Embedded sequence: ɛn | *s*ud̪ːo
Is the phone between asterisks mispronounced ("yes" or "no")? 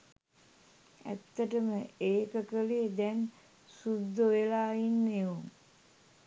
no